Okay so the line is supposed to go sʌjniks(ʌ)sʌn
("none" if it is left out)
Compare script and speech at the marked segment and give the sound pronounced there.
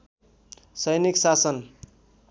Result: a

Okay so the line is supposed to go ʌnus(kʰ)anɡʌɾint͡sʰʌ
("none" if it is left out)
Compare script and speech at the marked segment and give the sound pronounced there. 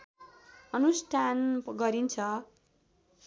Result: ʈʰ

